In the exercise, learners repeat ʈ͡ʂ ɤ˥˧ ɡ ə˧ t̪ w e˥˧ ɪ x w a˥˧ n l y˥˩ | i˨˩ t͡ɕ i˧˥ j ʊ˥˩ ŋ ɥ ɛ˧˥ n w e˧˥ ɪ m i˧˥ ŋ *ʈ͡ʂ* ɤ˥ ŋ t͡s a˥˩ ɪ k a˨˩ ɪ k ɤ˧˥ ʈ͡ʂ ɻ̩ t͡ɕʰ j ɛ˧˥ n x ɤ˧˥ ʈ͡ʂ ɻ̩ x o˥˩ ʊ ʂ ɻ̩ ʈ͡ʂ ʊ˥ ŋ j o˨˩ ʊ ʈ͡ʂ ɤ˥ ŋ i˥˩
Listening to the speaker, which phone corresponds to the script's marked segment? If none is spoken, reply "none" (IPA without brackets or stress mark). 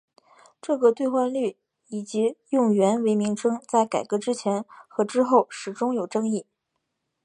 ʈ͡ʂʰ